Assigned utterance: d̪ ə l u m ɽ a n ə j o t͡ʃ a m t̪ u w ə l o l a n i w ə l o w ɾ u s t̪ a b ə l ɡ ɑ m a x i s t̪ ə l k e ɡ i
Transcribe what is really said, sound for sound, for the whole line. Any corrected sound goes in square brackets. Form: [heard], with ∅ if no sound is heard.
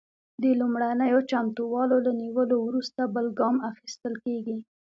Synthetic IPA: d̪ ə l u m ɽ a n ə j o t͡ʃ a m t̪ u w [ɑ] l o l a n i w ə l o w ɾ u s t̪ a b ə l ɡ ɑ m a x i s t̪ ə l k e ɡ i

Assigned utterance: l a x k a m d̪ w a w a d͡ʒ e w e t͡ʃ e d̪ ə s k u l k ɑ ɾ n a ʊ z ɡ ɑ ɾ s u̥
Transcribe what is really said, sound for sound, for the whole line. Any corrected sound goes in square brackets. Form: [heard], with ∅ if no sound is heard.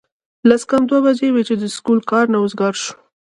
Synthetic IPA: l a [s] k a m d̪ w a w a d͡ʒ e w e t͡ʃ e d̪ ə s k u l k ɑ ɾ n a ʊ z ɡ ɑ ɾ [ʃ] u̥

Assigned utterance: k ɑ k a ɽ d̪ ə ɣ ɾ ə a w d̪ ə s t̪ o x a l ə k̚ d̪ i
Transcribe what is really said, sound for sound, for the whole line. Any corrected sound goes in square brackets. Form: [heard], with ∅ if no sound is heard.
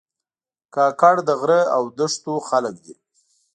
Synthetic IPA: k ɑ k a ɽ d̪ ə ɣ ɾ ə a w d̪ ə [ʂ] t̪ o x a l ə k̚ d̪ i

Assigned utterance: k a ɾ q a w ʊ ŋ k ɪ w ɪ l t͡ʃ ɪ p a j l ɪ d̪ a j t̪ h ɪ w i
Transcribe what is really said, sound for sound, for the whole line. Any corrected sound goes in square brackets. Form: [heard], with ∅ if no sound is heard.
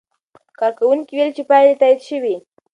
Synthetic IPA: k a ɾ [k] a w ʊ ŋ k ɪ w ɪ l t͡ʃ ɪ p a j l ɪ [t̪] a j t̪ [ʃ] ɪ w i

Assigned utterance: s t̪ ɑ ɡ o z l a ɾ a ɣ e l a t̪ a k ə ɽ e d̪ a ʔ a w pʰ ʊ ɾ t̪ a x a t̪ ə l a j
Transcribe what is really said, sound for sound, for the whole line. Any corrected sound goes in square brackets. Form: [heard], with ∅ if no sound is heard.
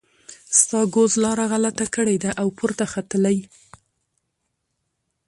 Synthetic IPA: s t̪ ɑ ɡ o z l [ɑ] ɾ a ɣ [a] l a t̪ a k ə ɽ e d̪ a ʔ a w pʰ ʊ ɾ t̪ a x a t̪ ə l a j

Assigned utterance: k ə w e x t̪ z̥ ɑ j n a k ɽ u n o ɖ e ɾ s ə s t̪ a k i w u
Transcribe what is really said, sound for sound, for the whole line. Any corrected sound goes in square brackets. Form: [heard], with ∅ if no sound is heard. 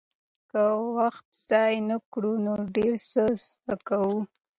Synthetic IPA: k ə w [a] x t̪ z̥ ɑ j n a k ɽ u n o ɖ e ɾ s ə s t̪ a k [a] w u

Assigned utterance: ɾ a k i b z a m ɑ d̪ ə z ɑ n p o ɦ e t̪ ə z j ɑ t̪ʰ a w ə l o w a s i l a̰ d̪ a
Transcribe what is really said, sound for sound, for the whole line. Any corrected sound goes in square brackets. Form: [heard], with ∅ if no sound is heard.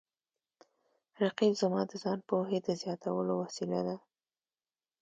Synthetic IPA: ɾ a [q] i b z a m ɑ d̪ ə z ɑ n p o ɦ e [d̪] ə z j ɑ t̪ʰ a w ə l o w a s i l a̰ d̪ a

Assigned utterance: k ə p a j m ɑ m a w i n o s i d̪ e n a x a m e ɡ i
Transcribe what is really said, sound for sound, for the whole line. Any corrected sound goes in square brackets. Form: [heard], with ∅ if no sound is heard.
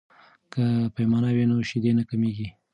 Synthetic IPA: k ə p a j m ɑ [n] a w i n o [ʃ] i d̪ e n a [k] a m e ɡ i

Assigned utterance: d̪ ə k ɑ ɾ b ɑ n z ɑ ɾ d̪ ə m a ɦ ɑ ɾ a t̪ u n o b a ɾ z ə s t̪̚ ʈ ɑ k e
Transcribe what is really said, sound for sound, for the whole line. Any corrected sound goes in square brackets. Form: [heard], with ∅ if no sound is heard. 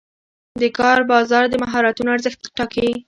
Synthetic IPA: d̪ ə k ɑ ɾ b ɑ [∅] z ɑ ɾ d̪ ə m a ɦ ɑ ɾ a t̪ u n o [∅] a ɾ z ə [x] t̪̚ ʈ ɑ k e

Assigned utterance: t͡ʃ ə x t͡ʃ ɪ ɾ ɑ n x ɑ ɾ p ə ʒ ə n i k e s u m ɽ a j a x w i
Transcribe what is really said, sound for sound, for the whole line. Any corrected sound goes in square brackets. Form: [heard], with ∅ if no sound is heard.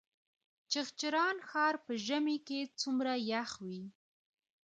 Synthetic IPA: t͡ʃ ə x t͡ʃ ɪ ɾ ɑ n x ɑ ɾ p ə ʒ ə [m] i k e [t͡s] u m [ɾ] a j a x w i

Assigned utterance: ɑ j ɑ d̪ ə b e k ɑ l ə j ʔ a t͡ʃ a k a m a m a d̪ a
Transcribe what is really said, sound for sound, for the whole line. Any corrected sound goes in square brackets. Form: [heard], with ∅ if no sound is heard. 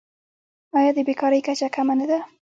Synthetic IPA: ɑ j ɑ d̪ ə b e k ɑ [ɾ] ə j [k] a t͡ʃ a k a m a [n] a d̪ a

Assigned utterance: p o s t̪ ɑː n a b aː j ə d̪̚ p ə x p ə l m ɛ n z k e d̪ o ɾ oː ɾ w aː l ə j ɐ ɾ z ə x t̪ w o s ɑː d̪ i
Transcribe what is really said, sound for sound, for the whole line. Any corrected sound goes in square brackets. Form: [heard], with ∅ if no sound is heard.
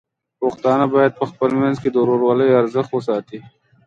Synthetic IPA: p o [x] t̪ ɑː n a b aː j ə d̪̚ p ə x p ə l m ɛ n z k e d̪ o ɾ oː ɾ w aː l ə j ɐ ɾ z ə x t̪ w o s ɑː [t̪] i

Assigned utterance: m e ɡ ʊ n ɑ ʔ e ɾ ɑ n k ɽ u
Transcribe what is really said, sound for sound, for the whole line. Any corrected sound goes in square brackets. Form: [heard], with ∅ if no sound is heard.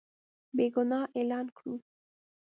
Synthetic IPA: [b] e ɡ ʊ n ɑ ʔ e [l] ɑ n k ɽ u

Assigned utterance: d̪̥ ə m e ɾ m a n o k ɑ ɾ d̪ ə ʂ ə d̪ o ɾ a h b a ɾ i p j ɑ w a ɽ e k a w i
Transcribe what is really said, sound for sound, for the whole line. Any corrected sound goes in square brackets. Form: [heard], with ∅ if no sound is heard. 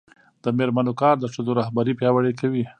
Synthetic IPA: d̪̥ ə m e ɾ m a n o k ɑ ɾ d̪ ə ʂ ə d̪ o ɾ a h b a ɾ i p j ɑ w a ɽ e k a w i

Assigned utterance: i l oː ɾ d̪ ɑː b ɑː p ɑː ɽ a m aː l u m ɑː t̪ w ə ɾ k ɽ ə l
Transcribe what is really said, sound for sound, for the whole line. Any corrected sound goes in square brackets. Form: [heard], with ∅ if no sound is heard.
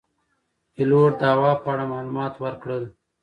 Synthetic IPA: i l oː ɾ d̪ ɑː [w] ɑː p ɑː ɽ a m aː l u m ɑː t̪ w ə ɾ k ɽ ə l

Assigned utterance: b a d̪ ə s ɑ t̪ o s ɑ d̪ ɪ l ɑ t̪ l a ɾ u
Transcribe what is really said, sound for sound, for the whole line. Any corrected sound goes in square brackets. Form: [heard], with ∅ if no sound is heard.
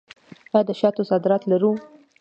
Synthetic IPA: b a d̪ ə [ʃ] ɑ t̪ o s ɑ d̪ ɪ [ɾ] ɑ t̪ l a ɾ u

